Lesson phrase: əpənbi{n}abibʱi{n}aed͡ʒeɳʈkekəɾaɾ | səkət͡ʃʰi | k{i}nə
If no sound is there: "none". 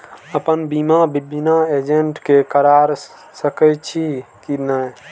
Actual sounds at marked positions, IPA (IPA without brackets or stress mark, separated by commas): m, n, i